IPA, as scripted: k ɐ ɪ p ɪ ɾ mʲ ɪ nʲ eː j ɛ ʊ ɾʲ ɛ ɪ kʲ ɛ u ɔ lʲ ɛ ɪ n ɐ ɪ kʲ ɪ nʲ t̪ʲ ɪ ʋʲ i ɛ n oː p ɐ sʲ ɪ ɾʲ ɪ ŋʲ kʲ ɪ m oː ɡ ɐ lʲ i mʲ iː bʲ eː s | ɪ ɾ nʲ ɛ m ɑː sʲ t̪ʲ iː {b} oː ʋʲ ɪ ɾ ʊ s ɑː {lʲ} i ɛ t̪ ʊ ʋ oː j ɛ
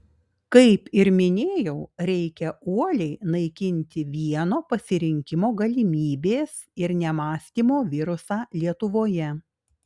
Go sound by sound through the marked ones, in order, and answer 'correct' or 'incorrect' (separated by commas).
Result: incorrect, correct